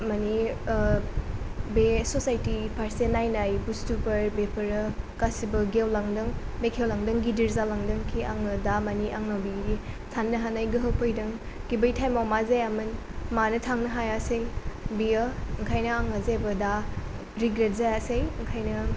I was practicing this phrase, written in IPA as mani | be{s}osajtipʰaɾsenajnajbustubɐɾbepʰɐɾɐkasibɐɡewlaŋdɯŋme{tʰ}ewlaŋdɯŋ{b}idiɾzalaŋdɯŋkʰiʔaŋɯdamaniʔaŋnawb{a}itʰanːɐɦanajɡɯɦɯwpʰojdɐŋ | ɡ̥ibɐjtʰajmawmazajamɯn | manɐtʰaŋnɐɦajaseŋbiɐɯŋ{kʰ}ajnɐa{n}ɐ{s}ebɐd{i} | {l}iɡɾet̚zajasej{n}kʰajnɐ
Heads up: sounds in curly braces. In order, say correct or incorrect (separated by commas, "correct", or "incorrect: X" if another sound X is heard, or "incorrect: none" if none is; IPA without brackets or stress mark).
correct, incorrect: kʰ, incorrect: ɡ, incorrect: i, correct, incorrect: ŋ, incorrect: z, incorrect: a, incorrect: ɾ, incorrect: ŋ